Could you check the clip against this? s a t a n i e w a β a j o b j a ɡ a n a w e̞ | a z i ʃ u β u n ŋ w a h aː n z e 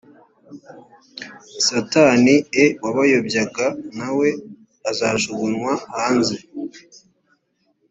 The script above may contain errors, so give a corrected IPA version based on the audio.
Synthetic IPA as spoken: s a t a n i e w a β a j o b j a ɡ a n a w e̞ | a z a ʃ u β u n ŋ w a h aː n z e